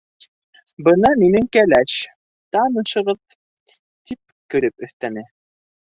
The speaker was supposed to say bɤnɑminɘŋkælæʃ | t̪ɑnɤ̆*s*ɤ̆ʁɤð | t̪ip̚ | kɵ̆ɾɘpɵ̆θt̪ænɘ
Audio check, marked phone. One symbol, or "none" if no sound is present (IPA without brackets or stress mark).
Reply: ʃ